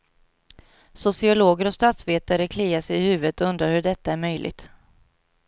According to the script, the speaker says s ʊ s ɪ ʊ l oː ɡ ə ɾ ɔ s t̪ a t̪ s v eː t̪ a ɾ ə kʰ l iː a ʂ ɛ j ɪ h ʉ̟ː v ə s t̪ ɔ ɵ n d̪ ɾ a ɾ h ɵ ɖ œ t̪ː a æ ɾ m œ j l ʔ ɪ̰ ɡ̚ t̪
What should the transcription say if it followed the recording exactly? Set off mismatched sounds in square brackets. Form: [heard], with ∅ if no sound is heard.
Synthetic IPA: s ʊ s ɪ ʊ l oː ɡ ə ɾ ɔ s t̪ a t̪ s v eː t̪ a ɾ ə kʰ l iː a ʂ ɛ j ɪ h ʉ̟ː v ə [∅] t̪ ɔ ɵ n d̪ ɾ a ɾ h ɵ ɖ [ɛ] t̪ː a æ ɾ m œ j l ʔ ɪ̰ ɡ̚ t̪